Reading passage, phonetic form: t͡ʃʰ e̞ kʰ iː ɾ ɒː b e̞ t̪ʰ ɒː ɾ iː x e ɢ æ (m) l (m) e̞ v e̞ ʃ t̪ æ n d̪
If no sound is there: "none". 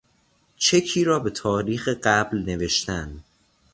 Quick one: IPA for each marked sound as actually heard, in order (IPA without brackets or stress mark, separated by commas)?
b, n